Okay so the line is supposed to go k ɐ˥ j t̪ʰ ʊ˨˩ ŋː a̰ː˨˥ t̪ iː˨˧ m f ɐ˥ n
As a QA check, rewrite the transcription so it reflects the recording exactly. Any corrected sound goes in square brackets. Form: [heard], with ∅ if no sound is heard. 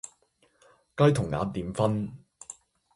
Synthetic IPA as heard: k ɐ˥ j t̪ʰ ʊ˨˩ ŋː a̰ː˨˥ t̪ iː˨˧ m f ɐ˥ n

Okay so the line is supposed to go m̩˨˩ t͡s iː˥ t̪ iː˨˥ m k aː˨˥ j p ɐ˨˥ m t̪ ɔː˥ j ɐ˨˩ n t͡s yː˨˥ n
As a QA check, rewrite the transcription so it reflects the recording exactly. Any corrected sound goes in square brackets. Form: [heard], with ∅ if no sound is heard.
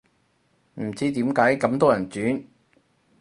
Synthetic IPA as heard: m̩˨˩ t͡s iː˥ t̪ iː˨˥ m k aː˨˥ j [k] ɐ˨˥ m t̪ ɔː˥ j ɐ˨˩ n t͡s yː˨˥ n

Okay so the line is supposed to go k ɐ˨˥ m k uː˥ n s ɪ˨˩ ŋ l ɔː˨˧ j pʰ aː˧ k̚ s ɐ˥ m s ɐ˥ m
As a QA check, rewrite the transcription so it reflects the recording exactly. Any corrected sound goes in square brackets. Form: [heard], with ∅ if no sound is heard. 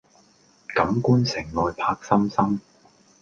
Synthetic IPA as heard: k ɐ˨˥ m k uː˥ n s ɪ˨˩ ŋ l ɔː˨˧ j pʰ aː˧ k̚ s ɐ˥ m s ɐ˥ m

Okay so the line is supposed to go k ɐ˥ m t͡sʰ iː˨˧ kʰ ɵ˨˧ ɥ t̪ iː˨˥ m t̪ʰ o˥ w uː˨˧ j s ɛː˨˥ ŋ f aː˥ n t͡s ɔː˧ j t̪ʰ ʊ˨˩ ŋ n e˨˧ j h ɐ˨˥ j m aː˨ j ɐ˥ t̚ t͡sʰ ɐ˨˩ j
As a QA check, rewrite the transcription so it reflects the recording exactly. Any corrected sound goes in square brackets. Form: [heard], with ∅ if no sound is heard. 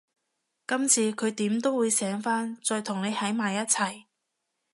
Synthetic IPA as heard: k ɐ˥ m t͡sʰ iː˨˧ kʰ ɵ˨˧ ɥ t̪ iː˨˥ m [t̪] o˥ w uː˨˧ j s ɛː˨˥ ŋ f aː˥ n t͡s ɔː˧ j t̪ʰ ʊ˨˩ ŋ n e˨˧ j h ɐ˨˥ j m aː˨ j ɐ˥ t̚ t͡sʰ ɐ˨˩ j

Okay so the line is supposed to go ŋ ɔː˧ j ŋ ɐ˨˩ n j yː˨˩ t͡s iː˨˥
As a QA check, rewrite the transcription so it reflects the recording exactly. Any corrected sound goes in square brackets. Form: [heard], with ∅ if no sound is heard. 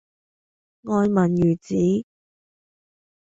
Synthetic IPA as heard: ŋ ɔː˧ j [m] ɐ˨˩ n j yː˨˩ t͡s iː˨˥

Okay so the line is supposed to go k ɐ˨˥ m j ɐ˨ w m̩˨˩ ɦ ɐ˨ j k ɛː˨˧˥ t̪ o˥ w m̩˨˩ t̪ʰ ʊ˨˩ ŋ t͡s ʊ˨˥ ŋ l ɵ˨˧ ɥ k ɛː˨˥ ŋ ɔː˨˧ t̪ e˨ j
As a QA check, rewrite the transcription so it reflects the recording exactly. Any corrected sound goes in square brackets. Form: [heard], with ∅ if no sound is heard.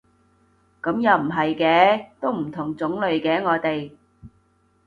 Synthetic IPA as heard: k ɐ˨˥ m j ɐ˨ w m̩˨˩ ɦ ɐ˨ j k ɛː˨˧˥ t̪ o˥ w m̩˨˩ t̪ʰ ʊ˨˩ ŋ t͡s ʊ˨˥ ŋ l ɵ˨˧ ɥ k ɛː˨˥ ŋ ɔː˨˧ t̪ e˨ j

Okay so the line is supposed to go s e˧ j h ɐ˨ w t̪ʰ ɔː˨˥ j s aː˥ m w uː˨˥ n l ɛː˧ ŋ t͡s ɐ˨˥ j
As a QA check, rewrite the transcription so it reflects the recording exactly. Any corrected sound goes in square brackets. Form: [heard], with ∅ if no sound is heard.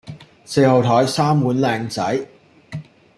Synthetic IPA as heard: s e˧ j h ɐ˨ w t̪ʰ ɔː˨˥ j s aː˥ m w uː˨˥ n l ɛː˧ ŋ t͡s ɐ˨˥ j

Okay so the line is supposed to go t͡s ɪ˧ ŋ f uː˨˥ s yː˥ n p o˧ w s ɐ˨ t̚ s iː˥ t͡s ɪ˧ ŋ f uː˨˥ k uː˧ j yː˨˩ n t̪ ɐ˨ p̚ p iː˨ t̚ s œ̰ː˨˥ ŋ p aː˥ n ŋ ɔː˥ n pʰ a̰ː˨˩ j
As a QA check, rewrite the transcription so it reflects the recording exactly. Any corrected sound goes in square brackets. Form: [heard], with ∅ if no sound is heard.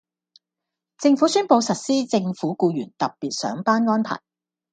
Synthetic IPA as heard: t͡s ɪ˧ ŋ f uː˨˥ s yː˥ n p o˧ w s ɐ˨ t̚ s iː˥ t͡s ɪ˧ ŋ f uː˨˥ k uː˧ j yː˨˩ n t̪ ɐ˨ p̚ p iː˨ t̚ s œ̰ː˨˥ ŋ p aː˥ n ŋ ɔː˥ n pʰ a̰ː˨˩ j

